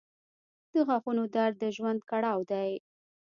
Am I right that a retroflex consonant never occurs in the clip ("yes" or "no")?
no